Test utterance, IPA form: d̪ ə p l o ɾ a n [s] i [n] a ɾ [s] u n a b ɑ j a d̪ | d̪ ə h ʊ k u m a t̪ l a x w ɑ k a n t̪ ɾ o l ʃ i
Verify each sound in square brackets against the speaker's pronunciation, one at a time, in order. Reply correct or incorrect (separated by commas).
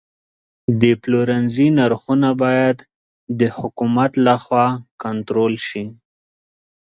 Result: incorrect, correct, incorrect